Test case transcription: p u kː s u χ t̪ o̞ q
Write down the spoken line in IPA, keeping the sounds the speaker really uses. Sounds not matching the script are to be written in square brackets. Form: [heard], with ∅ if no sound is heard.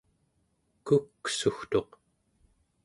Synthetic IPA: [k] u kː s u [x] t̪ o̞ q